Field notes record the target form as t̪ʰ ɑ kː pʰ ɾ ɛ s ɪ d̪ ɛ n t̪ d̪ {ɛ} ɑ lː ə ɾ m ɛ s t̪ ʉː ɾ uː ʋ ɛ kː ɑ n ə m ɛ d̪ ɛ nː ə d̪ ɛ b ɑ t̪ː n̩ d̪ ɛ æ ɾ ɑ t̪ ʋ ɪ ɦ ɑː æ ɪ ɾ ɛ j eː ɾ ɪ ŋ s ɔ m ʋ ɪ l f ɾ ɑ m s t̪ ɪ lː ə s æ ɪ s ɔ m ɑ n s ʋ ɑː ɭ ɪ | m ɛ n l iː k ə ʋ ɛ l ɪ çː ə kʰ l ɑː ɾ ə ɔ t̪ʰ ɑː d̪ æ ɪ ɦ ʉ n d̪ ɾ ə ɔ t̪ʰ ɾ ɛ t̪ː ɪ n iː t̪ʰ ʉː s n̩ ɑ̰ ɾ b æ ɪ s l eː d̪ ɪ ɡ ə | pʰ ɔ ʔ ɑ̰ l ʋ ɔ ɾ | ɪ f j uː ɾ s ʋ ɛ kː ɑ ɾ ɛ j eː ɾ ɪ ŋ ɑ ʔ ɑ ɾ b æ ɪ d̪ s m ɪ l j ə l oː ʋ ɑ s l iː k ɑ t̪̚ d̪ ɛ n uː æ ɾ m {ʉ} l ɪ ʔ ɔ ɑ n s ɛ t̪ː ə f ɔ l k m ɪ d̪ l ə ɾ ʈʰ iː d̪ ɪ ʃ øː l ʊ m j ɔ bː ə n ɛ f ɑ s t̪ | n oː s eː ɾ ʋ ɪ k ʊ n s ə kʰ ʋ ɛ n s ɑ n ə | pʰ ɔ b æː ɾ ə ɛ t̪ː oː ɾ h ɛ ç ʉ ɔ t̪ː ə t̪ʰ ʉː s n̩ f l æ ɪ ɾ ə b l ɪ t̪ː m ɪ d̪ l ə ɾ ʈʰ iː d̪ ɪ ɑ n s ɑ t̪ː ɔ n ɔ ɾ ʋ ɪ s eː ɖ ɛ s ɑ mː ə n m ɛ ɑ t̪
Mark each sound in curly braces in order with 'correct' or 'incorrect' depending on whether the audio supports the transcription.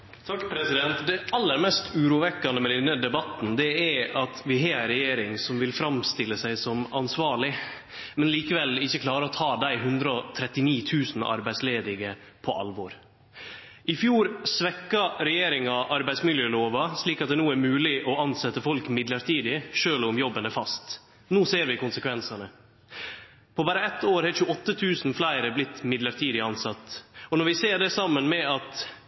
correct, incorrect

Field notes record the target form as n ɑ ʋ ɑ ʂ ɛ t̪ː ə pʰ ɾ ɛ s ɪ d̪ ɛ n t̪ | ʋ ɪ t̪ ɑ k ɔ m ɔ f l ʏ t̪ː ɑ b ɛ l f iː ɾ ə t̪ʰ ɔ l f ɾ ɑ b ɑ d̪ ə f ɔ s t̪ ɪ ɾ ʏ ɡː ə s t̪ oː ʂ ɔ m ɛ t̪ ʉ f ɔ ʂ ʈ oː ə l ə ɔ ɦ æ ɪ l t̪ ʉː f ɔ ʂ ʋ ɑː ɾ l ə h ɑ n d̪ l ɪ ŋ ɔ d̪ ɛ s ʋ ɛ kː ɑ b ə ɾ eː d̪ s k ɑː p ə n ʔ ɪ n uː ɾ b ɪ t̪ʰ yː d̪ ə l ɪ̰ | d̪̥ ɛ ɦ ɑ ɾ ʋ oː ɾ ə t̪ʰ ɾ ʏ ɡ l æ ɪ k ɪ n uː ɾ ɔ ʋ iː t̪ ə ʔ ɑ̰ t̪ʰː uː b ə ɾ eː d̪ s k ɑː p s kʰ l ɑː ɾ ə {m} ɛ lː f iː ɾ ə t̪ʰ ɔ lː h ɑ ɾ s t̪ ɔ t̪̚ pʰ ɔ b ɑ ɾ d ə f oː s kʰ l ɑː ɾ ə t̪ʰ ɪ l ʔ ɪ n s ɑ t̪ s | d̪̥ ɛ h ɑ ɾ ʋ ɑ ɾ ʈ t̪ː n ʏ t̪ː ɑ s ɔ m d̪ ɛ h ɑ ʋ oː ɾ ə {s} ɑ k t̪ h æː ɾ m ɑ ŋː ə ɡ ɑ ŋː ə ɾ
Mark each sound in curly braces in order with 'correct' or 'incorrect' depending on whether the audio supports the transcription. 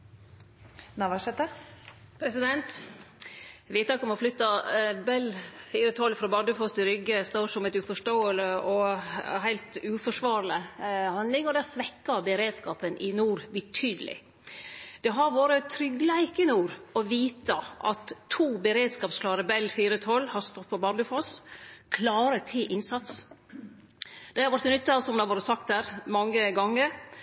incorrect, correct

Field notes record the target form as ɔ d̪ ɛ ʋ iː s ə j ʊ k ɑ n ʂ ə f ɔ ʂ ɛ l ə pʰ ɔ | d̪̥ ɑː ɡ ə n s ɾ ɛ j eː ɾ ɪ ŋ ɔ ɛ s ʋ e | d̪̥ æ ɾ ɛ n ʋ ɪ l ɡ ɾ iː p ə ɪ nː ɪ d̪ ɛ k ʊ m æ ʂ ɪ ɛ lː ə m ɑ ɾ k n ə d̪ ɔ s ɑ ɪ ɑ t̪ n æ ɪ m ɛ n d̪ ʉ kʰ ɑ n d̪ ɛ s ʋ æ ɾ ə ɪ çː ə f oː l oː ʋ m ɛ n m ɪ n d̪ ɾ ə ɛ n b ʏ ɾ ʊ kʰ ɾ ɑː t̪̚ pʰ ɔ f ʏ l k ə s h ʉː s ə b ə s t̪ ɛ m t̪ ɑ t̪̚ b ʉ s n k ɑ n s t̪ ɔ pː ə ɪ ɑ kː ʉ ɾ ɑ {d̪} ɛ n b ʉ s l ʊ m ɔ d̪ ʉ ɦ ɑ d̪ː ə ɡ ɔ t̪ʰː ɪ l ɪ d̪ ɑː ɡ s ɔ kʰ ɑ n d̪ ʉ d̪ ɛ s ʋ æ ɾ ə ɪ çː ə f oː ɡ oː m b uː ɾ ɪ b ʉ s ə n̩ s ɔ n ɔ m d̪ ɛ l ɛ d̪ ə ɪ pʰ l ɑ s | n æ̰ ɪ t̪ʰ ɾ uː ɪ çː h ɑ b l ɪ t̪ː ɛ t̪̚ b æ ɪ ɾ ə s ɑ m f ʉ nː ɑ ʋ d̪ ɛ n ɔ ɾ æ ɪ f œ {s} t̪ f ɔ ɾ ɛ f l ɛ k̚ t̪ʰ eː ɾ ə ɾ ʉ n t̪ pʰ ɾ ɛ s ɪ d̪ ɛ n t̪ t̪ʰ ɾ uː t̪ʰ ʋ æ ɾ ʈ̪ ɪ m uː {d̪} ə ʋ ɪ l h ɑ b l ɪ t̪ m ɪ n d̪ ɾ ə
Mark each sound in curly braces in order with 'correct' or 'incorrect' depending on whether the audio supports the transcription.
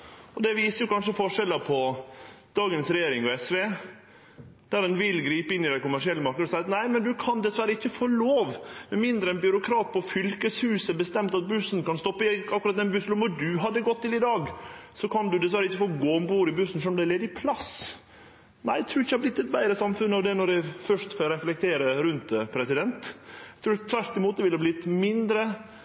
incorrect, incorrect, incorrect

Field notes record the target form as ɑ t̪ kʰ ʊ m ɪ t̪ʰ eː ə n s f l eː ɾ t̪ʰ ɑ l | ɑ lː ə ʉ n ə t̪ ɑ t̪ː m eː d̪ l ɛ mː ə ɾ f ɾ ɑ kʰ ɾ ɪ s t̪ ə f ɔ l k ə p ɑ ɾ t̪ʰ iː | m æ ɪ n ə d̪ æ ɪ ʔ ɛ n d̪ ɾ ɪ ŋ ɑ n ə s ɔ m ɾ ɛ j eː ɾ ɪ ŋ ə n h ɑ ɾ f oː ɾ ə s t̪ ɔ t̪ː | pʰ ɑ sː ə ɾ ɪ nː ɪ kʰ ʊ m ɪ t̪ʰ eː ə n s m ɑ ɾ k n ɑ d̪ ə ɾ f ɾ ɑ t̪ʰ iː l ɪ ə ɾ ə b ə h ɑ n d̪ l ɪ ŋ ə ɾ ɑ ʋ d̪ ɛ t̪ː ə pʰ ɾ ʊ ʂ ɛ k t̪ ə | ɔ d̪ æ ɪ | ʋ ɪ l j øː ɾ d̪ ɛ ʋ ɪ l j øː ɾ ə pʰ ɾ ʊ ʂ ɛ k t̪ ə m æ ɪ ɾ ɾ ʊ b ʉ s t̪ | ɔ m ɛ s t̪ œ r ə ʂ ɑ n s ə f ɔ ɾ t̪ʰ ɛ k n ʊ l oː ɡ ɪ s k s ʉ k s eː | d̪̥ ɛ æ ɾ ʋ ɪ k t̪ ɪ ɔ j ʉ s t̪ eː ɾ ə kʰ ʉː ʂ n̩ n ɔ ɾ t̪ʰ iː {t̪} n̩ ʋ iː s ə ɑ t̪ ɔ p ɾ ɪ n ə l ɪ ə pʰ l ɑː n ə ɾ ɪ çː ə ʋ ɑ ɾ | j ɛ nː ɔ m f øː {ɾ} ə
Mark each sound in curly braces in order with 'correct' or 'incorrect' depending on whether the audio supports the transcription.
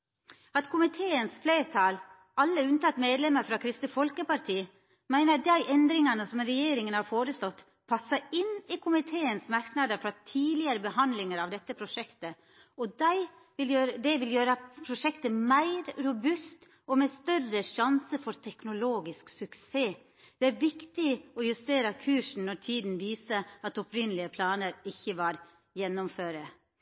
incorrect, correct

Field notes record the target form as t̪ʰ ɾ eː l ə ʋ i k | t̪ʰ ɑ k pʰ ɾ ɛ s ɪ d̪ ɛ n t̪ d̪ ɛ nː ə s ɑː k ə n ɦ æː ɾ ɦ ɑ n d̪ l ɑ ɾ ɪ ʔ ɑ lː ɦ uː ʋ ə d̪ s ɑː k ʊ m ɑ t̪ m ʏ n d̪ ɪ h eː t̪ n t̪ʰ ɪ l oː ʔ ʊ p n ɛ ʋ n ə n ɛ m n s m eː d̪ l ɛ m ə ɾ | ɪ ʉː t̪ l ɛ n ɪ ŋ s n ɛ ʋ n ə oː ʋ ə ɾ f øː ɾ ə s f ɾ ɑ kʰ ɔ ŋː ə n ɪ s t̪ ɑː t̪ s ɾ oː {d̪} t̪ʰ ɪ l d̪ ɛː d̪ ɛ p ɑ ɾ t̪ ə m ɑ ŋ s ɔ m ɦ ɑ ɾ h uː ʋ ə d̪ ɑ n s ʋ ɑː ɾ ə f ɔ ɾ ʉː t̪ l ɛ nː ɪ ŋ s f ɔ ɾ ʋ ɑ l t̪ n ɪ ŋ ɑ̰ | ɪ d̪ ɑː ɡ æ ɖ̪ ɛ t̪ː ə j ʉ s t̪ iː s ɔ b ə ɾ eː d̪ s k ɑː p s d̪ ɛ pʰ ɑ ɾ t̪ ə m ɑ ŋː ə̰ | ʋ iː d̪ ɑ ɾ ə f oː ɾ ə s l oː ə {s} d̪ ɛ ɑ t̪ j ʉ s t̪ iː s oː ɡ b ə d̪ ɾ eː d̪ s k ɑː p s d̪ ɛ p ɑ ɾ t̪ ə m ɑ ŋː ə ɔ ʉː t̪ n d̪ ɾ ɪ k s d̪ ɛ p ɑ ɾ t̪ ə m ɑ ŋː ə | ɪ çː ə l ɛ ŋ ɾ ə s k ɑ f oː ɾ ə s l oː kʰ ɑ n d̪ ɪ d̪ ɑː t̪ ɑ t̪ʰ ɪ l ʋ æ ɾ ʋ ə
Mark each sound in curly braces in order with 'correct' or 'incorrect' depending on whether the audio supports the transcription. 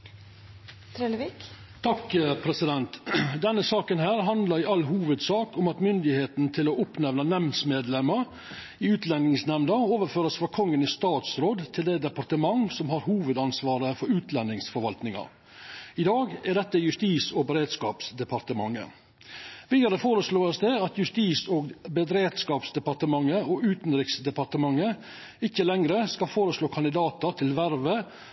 correct, correct

